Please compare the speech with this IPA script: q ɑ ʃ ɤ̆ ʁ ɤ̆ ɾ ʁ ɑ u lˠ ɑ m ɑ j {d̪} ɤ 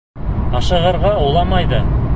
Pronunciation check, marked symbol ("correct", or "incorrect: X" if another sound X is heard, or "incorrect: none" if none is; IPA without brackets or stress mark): correct